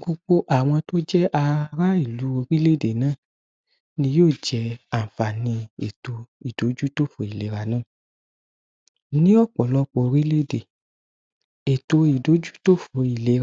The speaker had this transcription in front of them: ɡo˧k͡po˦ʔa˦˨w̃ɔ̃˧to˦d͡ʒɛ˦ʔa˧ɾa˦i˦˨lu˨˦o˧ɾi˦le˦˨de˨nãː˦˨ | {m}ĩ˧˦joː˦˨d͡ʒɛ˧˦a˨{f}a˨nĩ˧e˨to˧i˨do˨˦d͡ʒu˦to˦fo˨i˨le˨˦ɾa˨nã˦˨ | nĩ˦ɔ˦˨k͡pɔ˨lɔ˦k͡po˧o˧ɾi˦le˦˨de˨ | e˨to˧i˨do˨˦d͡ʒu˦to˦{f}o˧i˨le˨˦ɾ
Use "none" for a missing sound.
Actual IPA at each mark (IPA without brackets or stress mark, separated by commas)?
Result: n, f, f